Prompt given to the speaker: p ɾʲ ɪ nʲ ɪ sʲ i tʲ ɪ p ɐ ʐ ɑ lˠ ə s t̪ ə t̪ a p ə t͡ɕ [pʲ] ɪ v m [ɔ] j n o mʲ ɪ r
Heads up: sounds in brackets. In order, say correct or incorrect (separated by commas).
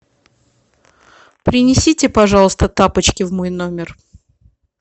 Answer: incorrect, incorrect